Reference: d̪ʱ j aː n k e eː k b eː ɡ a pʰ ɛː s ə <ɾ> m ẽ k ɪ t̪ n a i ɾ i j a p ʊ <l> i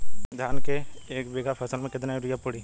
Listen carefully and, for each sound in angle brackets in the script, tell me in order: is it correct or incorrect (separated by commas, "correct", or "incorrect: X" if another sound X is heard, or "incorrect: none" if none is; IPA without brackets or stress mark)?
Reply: incorrect: l, incorrect: ɽ